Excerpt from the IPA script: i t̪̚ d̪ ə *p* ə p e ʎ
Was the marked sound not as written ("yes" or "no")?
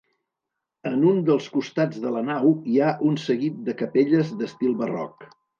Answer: yes